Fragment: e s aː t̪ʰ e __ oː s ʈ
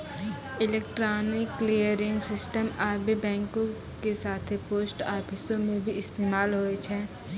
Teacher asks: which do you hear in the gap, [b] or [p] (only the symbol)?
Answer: p